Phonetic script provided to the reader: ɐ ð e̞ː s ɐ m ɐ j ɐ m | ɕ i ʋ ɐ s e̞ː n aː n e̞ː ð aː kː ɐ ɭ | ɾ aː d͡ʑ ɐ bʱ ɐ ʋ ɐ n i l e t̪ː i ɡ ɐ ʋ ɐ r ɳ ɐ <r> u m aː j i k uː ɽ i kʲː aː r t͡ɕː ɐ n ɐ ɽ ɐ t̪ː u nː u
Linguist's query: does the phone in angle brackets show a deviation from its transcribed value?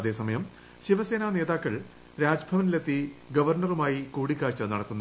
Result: no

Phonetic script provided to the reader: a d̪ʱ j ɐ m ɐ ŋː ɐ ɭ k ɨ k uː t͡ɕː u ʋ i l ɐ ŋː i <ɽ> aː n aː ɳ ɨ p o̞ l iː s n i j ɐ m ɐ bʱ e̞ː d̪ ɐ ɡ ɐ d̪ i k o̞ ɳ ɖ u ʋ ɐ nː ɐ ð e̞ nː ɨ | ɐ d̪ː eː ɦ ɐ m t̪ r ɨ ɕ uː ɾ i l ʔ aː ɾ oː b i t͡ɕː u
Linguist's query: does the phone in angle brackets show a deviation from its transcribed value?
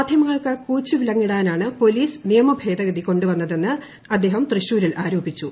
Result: no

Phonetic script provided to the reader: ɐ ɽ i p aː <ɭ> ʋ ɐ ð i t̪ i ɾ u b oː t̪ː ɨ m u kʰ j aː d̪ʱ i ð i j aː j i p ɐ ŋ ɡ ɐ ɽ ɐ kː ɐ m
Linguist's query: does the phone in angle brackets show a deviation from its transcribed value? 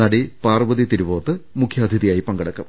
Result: yes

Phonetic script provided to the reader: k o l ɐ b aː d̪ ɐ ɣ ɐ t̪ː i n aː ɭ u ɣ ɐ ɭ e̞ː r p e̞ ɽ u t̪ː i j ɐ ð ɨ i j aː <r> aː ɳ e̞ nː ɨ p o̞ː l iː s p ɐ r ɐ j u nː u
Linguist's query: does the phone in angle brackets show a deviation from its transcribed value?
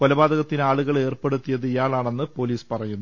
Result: yes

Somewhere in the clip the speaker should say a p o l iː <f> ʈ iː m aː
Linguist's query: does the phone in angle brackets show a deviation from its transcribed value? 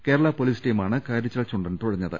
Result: yes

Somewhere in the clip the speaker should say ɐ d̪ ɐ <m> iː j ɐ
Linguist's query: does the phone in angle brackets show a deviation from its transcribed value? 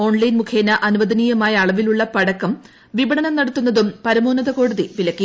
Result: yes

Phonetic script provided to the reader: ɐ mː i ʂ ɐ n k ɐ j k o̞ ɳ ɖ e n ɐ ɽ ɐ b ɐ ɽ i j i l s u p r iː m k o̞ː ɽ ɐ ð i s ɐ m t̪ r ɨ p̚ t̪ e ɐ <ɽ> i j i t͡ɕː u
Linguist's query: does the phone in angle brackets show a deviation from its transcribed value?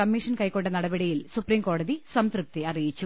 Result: yes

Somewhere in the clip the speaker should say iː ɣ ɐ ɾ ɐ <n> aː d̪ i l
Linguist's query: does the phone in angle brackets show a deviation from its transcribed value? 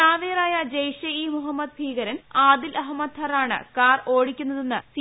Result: no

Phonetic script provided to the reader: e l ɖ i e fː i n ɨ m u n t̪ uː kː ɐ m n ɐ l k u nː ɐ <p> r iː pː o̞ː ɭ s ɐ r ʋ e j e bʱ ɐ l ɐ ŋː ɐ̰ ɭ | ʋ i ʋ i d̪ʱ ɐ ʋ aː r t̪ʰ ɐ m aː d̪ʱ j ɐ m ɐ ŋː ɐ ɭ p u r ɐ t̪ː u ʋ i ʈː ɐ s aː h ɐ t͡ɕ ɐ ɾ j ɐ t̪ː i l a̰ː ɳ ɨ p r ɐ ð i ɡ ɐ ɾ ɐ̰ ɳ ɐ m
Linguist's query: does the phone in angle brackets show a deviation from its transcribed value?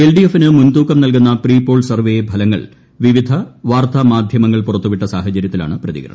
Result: no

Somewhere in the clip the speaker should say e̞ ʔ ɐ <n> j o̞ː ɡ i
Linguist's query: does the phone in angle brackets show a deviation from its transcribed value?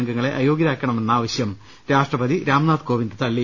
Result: yes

